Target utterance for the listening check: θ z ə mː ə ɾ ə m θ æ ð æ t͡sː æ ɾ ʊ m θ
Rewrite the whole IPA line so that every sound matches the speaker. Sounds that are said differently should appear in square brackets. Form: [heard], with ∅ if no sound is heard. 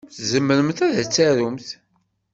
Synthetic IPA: θ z ə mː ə ɾ ə m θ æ ð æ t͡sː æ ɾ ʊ m θ